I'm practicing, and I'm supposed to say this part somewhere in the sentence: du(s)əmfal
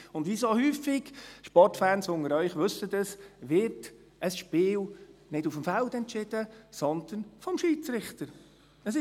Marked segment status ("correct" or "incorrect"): incorrect